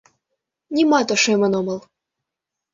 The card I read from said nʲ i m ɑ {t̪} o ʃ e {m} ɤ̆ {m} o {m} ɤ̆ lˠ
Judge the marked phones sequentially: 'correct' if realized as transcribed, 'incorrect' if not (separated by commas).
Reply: correct, correct, incorrect, correct